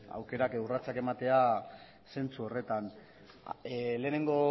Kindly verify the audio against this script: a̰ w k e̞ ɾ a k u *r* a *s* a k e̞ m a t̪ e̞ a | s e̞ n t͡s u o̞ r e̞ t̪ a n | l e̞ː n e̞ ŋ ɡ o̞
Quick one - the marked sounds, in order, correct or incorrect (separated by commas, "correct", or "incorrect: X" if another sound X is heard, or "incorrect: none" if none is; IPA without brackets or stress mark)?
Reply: correct, incorrect: t͡s